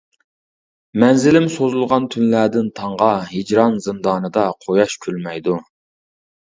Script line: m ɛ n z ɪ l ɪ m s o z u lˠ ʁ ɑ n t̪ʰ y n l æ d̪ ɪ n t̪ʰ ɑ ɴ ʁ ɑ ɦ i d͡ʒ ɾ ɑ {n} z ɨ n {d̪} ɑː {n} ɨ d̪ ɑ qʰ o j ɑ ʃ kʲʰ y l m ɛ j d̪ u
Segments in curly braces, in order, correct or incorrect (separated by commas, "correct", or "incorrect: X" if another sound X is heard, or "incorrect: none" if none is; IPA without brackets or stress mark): correct, correct, correct